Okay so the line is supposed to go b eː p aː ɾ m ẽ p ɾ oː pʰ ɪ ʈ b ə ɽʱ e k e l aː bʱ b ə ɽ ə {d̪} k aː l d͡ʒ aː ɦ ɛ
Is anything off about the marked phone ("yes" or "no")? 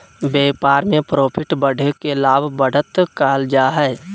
yes